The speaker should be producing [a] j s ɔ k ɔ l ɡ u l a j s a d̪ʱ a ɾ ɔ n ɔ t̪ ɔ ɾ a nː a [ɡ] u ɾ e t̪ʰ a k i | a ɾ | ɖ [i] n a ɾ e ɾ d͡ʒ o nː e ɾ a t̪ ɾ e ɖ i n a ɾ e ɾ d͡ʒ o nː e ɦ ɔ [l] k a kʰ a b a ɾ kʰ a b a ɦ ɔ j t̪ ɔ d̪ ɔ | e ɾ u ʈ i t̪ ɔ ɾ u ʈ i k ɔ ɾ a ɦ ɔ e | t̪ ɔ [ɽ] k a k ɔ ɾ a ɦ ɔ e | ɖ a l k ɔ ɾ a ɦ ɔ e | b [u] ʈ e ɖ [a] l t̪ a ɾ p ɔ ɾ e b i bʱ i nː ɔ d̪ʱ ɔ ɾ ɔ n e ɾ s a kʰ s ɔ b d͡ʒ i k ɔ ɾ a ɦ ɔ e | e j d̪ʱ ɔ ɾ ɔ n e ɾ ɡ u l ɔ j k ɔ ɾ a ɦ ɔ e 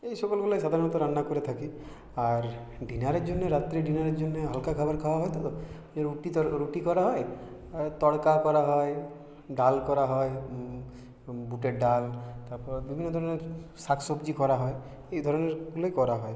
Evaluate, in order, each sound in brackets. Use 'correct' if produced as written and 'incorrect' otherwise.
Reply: incorrect, incorrect, correct, correct, correct, correct, correct

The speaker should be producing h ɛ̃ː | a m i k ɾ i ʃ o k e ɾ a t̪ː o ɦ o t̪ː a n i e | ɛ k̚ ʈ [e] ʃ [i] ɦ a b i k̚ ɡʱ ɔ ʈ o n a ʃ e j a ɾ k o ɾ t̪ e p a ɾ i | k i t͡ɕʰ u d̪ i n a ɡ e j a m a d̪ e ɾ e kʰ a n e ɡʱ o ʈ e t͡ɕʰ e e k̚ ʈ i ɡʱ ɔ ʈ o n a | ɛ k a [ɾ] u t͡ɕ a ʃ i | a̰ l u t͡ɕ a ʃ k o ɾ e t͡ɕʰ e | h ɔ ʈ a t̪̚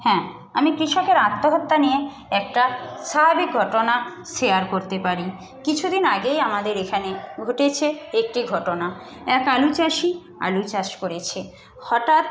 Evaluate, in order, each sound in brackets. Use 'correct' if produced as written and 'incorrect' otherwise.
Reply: incorrect, incorrect, incorrect

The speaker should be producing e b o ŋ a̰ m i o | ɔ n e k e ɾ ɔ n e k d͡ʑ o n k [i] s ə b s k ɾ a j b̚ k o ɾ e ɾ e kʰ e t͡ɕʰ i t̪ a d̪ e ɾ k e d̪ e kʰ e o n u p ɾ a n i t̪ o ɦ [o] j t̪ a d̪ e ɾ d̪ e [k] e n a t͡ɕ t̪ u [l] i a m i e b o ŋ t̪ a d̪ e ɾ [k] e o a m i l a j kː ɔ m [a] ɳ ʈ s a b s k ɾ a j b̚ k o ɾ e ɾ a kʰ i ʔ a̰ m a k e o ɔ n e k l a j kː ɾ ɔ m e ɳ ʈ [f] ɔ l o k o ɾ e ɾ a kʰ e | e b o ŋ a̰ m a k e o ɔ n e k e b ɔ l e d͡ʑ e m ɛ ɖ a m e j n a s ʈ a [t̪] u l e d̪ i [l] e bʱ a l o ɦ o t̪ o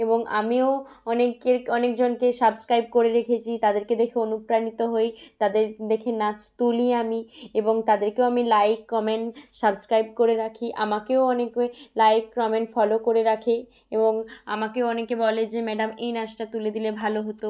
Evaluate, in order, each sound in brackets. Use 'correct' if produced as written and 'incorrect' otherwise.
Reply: incorrect, correct, incorrect, correct, correct, incorrect, correct, correct, correct

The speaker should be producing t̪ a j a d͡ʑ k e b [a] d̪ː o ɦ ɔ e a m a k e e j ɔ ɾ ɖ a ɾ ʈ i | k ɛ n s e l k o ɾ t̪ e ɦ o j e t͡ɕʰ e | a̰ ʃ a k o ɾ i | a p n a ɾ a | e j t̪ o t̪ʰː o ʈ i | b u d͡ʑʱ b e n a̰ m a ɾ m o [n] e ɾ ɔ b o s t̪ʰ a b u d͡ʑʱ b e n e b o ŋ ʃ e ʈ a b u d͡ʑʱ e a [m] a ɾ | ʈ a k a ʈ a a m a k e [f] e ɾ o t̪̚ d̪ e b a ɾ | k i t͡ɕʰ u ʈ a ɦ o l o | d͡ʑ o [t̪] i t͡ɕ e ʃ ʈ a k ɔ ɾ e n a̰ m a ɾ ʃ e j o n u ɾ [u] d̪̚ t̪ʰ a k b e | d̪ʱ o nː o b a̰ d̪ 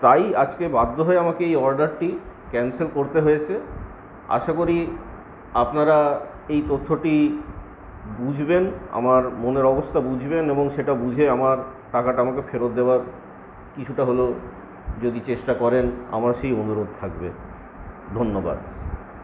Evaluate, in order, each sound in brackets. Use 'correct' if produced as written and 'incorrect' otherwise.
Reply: correct, correct, correct, correct, incorrect, incorrect

